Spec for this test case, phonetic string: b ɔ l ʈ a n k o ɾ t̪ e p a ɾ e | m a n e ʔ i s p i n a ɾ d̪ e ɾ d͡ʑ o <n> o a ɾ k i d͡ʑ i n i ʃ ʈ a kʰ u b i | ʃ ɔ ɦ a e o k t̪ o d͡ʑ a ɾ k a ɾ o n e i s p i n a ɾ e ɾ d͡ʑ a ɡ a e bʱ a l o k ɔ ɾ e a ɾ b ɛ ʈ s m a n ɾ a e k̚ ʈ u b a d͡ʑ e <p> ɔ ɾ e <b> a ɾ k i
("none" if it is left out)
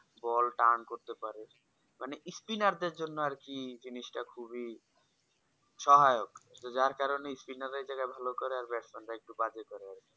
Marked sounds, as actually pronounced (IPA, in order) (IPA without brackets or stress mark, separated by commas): nː, k, none